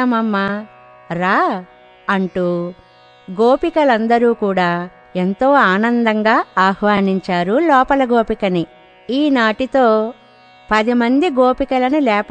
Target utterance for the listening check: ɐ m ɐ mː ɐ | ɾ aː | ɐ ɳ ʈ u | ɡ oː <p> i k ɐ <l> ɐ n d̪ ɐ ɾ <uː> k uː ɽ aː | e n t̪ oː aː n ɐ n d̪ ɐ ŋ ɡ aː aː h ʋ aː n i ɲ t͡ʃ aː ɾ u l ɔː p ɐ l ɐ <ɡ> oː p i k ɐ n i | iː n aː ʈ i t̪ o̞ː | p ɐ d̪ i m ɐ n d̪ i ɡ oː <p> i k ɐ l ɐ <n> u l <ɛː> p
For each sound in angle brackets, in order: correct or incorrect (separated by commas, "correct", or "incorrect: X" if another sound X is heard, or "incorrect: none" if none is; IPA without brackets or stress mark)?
correct, correct, correct, correct, correct, correct, correct